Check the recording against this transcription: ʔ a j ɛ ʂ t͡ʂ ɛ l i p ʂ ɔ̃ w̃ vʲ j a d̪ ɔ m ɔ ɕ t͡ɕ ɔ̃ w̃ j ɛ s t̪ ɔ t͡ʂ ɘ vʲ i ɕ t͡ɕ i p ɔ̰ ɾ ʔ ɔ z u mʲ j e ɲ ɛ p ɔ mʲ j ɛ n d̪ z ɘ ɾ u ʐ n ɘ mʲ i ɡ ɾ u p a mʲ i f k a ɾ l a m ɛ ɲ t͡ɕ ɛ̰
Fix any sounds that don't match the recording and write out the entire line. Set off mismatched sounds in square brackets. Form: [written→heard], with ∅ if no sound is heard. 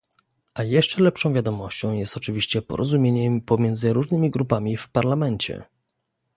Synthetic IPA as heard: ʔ a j ɛ ʂ t͡ʂ ɛ l [i→ɛ] p ʂ ɔ̃ w̃ vʲ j a d̪ ɔ m ɔ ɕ t͡ɕ ɔ̃ w̃ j ɛ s t̪ ɔ t͡ʂ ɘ vʲ i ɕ t͡ɕ [i→ɛ] p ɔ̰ ɾ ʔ ɔ z u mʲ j e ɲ ɛ p ɔ mʲ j ɛ n d̪ z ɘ ɾ u ʐ n ɘ mʲ i ɡ ɾ u p a mʲ i f [k→p] a ɾ l a m ɛ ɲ t͡ɕ ɛ̰